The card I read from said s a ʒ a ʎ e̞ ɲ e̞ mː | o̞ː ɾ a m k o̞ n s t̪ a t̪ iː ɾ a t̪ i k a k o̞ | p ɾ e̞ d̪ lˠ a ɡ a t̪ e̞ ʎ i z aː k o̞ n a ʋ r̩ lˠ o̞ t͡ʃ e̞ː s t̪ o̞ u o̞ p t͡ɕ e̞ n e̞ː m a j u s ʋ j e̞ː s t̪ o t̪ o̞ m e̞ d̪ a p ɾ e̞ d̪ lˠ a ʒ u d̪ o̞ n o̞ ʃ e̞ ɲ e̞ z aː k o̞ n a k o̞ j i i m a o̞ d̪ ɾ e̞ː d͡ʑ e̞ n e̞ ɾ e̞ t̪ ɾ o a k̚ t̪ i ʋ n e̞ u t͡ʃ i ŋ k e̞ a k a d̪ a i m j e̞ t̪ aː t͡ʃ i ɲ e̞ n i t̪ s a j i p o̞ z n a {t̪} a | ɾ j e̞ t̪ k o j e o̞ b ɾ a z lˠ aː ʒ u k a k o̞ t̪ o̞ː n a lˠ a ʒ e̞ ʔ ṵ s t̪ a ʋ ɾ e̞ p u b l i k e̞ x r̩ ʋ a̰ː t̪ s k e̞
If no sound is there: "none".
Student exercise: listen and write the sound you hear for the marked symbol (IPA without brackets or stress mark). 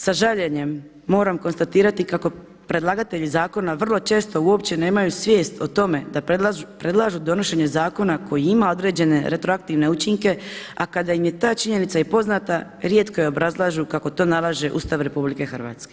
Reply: t̪